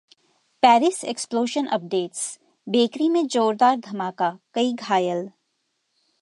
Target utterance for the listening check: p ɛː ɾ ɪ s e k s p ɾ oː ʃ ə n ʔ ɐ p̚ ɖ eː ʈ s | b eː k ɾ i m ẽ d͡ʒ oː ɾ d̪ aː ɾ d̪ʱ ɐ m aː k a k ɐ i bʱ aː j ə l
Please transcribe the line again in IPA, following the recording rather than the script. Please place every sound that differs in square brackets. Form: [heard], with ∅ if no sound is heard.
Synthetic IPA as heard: p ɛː ɾ ɪ s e k s p [l] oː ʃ ə n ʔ ɐ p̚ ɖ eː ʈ s | b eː k ɾ i m ẽ d͡ʒ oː ɾ d̪ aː ɾ d̪ʱ ɐ m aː k a k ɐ i [ɡʱ] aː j ə l